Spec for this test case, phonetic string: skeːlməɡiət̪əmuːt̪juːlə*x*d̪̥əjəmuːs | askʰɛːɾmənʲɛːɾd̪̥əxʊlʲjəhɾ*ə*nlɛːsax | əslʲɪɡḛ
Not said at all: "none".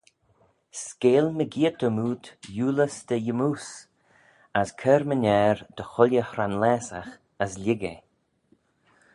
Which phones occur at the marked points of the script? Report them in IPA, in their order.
s, a

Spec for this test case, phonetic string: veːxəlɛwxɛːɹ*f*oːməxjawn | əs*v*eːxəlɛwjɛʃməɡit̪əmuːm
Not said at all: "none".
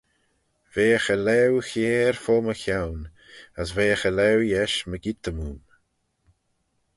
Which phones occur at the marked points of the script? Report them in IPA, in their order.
f, v

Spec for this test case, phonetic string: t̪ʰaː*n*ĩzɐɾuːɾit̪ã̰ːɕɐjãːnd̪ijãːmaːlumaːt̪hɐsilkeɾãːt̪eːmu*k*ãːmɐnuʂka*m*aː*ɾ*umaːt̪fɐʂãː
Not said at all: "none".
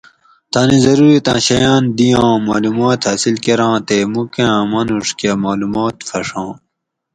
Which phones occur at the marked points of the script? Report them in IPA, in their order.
n, k, m, l

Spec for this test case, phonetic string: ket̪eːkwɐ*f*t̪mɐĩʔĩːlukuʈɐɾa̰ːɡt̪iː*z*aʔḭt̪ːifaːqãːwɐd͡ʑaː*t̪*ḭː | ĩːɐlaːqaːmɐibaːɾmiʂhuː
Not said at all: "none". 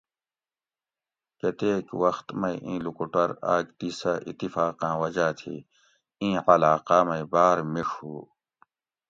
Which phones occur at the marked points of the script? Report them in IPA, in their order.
x, s, t̪ʰ

